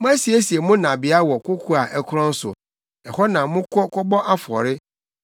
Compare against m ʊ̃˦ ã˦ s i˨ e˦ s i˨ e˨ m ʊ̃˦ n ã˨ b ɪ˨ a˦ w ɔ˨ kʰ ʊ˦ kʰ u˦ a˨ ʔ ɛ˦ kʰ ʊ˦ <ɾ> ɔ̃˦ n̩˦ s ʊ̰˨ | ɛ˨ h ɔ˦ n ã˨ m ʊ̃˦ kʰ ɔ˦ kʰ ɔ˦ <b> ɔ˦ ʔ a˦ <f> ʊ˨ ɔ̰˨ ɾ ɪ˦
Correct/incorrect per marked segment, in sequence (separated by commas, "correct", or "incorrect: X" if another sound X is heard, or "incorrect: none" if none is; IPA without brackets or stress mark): correct, correct, correct